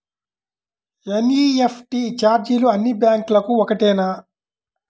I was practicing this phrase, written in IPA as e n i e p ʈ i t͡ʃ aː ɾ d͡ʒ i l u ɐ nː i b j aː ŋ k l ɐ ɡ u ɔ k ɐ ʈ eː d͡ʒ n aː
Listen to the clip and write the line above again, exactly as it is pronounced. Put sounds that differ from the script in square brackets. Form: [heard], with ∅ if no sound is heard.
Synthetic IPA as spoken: e n i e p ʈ i t͡ʃ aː ɾ d͡ʒ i l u ɐ nː i b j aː ŋ k l ɐ [k] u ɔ k ɐ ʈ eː [∅] n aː